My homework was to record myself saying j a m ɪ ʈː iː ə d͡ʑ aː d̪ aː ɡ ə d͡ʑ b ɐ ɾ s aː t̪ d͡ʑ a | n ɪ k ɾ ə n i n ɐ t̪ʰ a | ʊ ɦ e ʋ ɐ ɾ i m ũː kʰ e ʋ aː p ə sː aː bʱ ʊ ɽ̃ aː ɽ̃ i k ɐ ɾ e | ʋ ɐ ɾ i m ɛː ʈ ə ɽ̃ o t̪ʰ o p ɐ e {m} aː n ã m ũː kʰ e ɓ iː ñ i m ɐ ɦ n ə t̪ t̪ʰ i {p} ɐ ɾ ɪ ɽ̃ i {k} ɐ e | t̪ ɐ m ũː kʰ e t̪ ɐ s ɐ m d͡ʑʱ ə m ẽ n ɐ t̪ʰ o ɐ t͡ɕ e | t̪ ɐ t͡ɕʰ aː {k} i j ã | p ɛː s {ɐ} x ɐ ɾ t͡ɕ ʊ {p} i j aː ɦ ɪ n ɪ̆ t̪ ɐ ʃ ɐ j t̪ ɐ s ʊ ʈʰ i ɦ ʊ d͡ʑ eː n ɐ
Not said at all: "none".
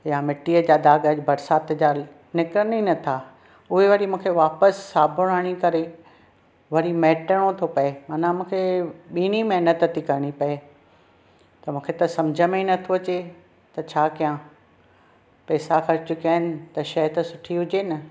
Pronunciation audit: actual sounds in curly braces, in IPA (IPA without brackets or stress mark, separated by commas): m, k, p, k, a, k